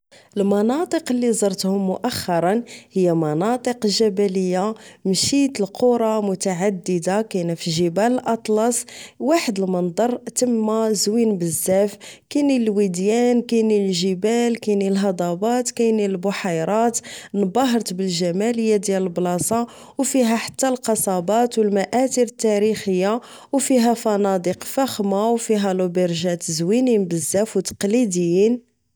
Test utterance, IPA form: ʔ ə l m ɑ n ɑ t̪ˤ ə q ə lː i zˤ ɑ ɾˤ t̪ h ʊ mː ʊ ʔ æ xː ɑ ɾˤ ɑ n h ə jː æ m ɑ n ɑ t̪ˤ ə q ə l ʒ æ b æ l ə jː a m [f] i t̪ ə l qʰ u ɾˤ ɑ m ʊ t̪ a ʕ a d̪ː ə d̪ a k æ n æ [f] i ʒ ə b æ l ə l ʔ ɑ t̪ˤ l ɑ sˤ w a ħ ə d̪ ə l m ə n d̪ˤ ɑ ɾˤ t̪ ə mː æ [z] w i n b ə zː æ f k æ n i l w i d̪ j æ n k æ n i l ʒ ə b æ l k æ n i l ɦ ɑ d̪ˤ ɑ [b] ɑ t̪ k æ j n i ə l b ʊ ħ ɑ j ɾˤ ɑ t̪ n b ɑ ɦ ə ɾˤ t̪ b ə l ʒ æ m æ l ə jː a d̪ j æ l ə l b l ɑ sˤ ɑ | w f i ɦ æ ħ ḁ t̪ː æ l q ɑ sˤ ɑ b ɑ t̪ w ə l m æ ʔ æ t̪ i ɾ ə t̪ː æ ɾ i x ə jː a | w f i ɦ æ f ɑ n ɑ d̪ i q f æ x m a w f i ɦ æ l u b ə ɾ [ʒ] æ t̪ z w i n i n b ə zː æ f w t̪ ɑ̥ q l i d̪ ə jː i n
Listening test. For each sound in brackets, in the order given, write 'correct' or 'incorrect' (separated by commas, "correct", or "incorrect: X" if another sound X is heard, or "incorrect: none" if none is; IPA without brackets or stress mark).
incorrect: ʃ, correct, correct, correct, correct